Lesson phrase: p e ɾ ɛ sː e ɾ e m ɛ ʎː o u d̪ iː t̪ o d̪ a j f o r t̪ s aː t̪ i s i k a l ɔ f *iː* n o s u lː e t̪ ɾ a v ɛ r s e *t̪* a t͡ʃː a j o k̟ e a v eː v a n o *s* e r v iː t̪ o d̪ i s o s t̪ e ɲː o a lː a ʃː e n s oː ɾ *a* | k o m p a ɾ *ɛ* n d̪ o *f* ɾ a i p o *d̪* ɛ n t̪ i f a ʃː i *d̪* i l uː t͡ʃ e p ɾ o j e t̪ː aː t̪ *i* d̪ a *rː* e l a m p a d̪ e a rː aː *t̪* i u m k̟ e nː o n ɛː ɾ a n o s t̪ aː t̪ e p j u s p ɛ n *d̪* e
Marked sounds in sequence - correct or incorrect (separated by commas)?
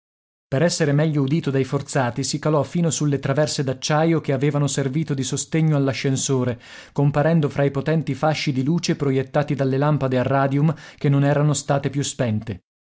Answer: correct, incorrect, correct, incorrect, correct, correct, incorrect, correct, correct, incorrect, incorrect, incorrect